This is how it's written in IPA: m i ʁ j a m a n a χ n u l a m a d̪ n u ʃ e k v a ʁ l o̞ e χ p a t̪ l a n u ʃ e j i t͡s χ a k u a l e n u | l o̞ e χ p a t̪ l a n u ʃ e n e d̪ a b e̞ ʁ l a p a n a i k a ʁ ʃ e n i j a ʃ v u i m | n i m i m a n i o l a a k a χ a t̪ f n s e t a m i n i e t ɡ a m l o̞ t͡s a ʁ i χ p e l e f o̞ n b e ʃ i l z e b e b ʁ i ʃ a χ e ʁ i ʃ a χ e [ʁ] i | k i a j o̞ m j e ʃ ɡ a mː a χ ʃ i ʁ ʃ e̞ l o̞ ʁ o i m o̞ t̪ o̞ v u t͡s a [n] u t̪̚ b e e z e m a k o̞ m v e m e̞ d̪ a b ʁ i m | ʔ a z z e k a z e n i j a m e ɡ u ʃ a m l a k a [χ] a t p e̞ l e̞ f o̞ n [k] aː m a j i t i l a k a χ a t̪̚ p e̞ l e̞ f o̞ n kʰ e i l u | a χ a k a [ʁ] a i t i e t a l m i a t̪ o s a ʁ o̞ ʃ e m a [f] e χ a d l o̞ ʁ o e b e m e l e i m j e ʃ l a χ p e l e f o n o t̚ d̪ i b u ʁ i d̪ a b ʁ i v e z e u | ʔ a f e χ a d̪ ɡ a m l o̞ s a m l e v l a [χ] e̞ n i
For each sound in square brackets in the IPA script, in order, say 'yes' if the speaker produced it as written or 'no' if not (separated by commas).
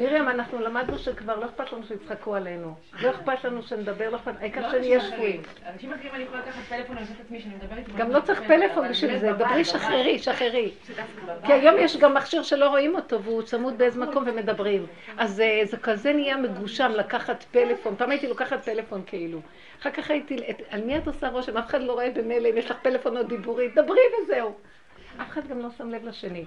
yes, no, yes, no, no, yes, no